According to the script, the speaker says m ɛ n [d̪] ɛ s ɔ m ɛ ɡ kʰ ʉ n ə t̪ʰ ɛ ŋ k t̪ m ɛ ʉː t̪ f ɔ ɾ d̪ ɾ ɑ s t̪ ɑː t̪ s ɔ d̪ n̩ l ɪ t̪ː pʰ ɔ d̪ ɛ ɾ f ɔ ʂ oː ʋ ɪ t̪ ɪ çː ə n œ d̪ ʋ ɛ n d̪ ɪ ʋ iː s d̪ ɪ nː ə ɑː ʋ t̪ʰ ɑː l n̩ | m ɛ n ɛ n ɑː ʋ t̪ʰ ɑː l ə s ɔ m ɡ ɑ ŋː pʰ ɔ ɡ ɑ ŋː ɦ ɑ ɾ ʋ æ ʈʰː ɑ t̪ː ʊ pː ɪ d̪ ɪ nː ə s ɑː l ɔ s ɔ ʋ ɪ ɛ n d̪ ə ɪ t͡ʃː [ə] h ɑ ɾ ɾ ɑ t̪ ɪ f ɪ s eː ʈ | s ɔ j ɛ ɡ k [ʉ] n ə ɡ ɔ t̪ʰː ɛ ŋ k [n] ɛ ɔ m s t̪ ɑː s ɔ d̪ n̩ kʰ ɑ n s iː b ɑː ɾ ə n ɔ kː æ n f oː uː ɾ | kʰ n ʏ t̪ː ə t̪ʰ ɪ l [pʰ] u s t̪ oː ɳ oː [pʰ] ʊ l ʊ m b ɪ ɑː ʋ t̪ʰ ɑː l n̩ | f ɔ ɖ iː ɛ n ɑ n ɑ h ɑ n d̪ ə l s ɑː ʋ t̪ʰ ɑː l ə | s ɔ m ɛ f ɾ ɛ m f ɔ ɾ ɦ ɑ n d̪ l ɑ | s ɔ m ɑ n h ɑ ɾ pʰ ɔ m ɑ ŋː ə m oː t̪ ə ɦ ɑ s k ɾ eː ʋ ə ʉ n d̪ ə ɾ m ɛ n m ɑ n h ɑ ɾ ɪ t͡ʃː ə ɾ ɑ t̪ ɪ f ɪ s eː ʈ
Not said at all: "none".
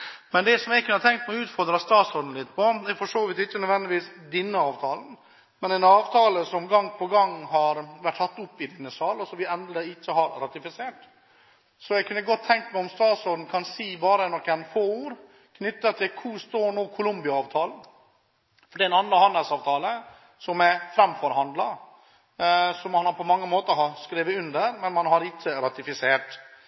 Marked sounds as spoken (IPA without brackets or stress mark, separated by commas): d̪, ə, ʉ, m, kʰ, kʰ